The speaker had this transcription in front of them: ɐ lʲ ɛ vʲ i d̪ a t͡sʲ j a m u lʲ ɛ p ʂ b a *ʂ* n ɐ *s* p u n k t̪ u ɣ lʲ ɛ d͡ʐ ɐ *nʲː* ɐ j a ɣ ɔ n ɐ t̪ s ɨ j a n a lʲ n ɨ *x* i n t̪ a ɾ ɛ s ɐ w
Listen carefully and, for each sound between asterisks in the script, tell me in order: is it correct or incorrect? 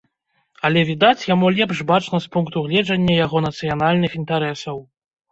incorrect, correct, correct, correct

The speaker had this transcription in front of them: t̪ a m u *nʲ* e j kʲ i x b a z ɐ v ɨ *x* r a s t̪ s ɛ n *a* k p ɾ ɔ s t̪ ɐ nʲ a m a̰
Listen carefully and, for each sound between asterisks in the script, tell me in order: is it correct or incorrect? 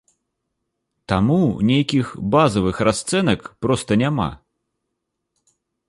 correct, correct, incorrect

